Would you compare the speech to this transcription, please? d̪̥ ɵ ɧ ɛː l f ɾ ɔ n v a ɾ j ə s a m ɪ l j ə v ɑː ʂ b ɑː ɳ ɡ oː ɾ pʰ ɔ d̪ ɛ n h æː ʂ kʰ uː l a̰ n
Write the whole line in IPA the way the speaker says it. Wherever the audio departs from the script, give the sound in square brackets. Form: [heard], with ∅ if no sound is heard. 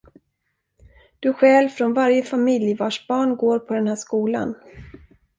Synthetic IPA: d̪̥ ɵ ɧ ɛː l f ɾ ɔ n v a ɾ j ə [f] a m ɪ l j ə v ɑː ʂ b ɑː ɳ ɡ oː ɾ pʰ ɔ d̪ ɛ n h æː ʂ [k] uː l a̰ n